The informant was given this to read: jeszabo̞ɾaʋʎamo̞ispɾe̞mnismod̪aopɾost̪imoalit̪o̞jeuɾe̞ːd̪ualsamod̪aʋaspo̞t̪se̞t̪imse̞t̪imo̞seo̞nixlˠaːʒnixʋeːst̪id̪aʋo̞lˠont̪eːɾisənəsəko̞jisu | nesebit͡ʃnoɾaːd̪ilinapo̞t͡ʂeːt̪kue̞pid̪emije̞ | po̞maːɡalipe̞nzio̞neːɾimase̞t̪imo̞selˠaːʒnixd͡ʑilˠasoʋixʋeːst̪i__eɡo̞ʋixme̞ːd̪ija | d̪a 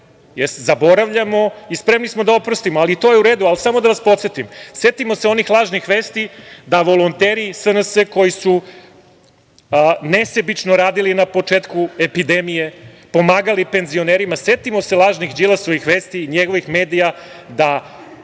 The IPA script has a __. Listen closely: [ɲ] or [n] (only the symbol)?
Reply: ɲ